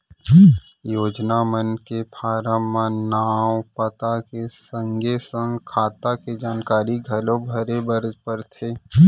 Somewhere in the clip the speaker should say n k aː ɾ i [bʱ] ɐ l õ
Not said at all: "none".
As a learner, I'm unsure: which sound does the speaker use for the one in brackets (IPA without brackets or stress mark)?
ɡʱ